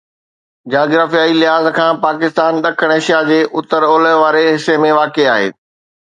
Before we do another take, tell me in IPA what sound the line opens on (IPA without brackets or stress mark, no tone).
d͡ʑ